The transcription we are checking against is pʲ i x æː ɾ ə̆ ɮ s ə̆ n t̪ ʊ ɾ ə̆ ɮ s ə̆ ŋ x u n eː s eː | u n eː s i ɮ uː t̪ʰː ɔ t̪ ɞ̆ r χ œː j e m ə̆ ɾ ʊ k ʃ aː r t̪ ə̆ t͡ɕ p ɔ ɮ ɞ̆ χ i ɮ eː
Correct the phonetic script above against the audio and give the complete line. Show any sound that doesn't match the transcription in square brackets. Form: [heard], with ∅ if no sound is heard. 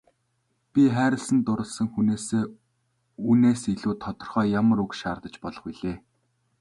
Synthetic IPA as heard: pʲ i [χ] æː ɾ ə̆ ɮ s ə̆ n t̪ ʊ ɾ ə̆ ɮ s ə̆ ŋ x u n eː s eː | u n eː s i ɮ uː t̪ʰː ɔ t̪ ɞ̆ r χ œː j [a] m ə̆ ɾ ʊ k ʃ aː r t̪ ə̆ t͡ɕ p ɔ ɮ ɞ̆ χ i ɮ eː